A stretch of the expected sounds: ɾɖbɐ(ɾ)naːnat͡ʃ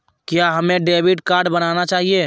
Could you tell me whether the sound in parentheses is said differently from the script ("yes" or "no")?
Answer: yes